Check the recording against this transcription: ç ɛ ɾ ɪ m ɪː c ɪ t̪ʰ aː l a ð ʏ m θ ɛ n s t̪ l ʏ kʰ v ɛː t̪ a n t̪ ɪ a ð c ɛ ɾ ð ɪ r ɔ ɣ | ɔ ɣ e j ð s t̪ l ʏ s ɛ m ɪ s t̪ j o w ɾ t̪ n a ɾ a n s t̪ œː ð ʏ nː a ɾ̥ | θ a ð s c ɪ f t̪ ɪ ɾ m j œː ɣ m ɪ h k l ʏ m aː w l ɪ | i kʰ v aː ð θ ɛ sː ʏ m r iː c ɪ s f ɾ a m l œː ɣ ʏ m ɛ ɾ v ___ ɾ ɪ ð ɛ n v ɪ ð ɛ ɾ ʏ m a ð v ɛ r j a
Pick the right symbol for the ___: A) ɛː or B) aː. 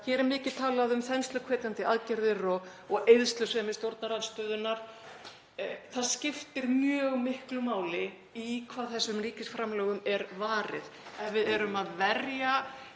B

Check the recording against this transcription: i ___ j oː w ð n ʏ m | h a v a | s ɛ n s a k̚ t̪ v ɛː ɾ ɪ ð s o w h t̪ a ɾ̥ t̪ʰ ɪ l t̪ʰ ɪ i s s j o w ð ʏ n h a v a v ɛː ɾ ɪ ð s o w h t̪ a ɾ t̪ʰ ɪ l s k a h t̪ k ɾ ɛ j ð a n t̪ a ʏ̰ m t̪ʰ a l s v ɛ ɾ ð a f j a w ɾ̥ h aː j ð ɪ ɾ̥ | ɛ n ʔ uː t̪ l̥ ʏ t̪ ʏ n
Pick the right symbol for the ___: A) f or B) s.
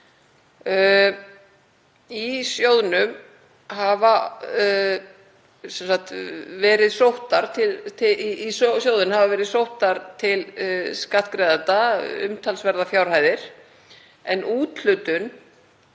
B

